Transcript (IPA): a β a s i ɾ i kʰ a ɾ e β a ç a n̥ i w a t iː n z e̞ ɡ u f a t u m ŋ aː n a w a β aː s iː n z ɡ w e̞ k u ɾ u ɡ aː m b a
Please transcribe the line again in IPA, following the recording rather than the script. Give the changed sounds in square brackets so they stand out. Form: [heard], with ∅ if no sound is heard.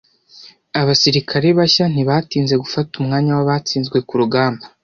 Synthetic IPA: a β a s i ɾ i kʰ a ɾ e β a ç a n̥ i [β] a t iː n z e̞ ɡ u f a t u m ŋ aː [ɲ] a w a β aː [t͡s] iː n z ɡ w e̞ k u ɾ u ɡ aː m b a